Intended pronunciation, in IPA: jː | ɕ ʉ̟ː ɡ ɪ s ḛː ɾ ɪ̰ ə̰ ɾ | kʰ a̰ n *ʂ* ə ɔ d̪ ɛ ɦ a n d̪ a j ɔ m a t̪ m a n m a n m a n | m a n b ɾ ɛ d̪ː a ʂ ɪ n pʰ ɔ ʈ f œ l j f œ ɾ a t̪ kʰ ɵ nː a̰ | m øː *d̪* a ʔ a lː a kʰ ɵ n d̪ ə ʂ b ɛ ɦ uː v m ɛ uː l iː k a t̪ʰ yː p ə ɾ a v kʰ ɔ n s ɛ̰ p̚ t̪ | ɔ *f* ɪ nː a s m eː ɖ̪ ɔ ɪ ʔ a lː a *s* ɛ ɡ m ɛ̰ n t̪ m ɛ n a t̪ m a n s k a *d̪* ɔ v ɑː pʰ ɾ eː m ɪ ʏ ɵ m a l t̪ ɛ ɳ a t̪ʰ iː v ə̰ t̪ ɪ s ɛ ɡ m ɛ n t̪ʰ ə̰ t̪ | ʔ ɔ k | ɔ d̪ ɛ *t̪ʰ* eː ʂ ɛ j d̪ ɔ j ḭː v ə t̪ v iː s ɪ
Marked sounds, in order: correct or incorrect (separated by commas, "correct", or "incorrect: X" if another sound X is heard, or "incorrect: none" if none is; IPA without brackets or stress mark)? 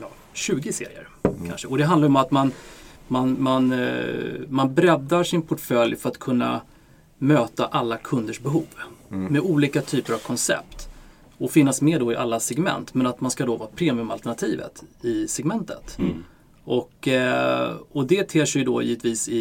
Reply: correct, incorrect: t̪, correct, correct, correct, correct